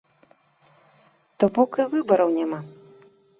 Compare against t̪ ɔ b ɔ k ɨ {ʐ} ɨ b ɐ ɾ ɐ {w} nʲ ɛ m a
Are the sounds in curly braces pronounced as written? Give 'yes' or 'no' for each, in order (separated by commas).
no, yes